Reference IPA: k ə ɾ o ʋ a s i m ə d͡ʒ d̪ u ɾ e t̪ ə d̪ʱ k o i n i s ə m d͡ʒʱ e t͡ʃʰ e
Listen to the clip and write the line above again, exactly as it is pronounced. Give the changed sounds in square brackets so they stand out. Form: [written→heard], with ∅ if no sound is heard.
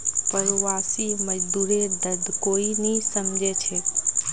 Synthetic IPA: [k→p] ə ɾ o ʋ a s i m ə d͡ʒ d̪ u ɾ e [t̪→d̪] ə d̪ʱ k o i n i s ə m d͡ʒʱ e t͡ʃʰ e